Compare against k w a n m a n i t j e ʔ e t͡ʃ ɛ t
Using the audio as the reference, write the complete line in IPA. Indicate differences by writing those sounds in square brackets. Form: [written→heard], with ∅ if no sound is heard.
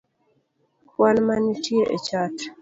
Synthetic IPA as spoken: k w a n m a n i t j e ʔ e t͡ʃ [ɛ→a] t

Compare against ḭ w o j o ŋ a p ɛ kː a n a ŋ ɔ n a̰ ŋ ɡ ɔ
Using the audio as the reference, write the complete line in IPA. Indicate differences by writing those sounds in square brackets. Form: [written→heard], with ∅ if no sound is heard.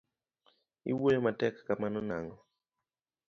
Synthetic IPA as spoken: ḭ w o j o [ŋ→m] a [p→t] ɛ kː a [n→m] a [ŋ→n] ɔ n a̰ ŋ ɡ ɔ

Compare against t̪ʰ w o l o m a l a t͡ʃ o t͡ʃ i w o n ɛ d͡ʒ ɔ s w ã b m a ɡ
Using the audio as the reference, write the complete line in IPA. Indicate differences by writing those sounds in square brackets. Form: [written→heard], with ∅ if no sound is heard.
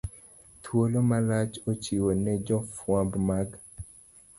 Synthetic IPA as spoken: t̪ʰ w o l o m a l a t͡ʃ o t͡ʃ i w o n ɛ d͡ʒ ɔ [s→f] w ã b m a ɡ

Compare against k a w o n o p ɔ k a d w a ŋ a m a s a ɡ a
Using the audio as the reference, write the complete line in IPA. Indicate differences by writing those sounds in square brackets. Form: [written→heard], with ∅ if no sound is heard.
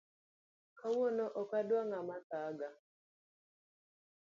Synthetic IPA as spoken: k a w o n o [p→ʔ] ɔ k a d w a ŋ a m a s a ɡ a

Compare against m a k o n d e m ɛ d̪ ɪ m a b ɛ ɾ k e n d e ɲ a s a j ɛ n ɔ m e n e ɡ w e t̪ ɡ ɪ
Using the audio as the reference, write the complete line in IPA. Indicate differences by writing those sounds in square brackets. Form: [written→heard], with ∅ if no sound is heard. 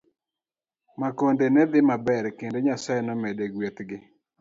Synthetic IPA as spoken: m a k o n d e [m→n] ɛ d̪ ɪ m a b ɛ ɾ k e n d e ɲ a s a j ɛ n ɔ m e [n→d] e ɡ w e t̪ ɡ ɪ

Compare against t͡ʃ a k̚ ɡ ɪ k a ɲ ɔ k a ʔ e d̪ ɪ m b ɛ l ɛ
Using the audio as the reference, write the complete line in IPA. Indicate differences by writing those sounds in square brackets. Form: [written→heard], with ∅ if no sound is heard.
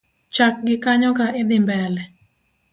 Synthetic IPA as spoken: t͡ʃ a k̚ ɡ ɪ k a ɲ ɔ k a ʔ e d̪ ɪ m b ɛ l ɛ

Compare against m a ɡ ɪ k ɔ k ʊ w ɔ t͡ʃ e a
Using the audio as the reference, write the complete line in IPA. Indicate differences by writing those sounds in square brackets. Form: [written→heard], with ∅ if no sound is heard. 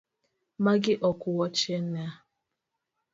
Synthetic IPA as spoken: m a ɡ ɪ [k→ʔ] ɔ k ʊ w ɔ t͡ʃ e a

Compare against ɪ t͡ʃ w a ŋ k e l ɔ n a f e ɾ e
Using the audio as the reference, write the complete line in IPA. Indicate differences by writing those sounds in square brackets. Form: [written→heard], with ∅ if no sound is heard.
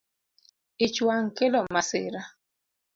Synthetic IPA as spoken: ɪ t͡ʃ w a ŋ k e l ɔ [n→m] a [f→s] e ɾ [e→a]

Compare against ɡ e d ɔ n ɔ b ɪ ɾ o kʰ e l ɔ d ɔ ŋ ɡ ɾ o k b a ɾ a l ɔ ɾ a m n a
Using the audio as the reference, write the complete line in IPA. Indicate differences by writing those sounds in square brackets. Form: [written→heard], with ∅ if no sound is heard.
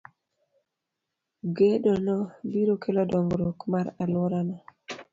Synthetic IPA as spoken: ɡ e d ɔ n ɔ b [ɪ→i] ɾ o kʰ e l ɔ d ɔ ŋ ɡ ɾ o k [b→m] a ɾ a l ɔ ɾ a [m→∅] n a

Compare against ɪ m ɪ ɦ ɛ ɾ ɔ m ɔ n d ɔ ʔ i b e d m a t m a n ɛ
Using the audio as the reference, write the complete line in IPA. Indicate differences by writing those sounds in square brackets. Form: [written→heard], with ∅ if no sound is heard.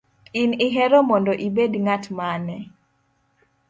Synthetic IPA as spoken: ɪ [m→n] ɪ ɦ ɛ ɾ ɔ m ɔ n d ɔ ʔ i b e d [m→ŋ] a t m a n ɛ

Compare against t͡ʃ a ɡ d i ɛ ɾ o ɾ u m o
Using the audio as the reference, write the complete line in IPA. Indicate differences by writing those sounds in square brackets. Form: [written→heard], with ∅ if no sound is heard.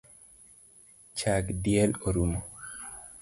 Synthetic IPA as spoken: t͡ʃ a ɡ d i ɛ [ɾ→l] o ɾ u m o

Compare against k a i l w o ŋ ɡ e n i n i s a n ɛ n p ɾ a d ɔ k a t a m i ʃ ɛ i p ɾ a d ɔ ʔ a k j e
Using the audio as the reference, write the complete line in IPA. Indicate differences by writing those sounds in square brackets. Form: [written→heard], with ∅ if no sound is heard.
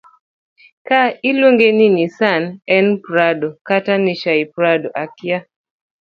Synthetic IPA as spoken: k a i l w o ŋ ɡ e n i n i s a n ɛ n p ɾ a d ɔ k a t a [m→n] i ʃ [ɛ→a] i p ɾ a d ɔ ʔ a k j [e→a]

